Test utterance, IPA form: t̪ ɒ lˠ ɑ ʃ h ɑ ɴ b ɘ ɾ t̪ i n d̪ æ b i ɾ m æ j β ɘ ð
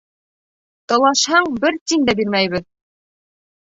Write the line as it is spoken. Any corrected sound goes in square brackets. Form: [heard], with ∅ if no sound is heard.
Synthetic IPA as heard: t̪ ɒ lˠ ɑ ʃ h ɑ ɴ b ɘ ɾ t̪ i n d̪ æ b i ɾ m æ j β ɘ ð